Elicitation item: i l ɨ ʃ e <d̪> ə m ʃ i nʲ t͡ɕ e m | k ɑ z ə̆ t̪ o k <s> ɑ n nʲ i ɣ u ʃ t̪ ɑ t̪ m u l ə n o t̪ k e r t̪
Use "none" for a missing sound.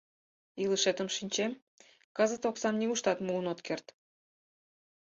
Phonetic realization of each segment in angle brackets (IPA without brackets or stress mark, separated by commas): t̪, s